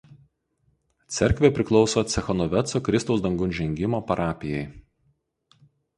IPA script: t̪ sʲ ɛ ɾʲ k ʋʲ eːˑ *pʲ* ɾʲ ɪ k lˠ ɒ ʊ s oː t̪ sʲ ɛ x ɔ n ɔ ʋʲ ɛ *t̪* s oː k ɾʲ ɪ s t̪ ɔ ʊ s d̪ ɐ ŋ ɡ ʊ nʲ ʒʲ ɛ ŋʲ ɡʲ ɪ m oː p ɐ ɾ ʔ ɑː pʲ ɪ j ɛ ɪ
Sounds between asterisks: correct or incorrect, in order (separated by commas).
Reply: correct, correct